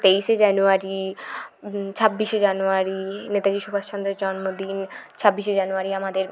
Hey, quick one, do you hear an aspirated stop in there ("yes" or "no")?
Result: yes